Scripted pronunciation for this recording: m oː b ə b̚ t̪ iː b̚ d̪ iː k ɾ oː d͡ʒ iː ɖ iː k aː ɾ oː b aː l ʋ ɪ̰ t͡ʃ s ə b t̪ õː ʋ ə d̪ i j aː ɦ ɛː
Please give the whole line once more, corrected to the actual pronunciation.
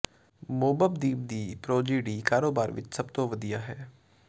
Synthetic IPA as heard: m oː b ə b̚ d̪ iː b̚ d̪ iː p ɾ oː d͡ʒ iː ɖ iː k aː ɾ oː b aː ɾ ʋ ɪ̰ t͡ʃ s ə b t̪ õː ʋ ə d̪ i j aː ɦ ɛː